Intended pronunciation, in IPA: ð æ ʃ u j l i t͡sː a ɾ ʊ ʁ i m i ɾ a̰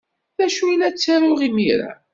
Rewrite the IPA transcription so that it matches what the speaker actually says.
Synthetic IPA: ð æ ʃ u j l æ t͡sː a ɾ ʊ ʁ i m i ɾ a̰